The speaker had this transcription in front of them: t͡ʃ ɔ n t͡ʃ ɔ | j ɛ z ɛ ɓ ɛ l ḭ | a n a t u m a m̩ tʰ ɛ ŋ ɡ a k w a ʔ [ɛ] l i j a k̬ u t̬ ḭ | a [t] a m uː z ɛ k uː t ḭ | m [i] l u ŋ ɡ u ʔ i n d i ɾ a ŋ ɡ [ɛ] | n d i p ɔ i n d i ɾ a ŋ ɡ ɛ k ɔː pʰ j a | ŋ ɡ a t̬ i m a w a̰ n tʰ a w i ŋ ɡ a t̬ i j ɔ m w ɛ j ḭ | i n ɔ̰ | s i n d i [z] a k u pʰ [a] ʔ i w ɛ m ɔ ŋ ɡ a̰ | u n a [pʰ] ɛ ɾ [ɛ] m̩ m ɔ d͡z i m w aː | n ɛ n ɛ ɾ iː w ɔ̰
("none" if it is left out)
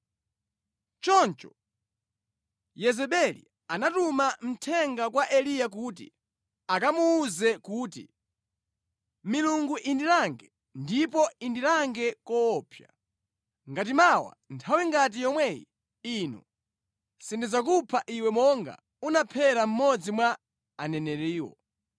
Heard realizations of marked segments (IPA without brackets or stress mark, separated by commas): ɛ, k, i, ɛ, z, a, pʰ, a